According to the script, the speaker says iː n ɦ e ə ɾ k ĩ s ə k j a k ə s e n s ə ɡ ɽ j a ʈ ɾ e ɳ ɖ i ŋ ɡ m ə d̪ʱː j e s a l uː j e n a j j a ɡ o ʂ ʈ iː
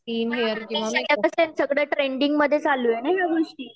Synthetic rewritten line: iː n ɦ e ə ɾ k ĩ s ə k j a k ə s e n s ə ɡ ɽ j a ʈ ɾ e ɳ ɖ i ŋ ɡ m ə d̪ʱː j e t͡s a l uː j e n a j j a ɡ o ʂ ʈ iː